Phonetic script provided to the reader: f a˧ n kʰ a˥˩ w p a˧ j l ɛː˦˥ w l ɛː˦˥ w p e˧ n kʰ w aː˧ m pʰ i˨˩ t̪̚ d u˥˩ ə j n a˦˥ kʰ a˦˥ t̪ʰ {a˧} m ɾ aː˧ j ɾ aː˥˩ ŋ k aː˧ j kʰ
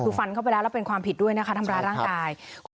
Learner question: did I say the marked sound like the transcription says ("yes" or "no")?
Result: yes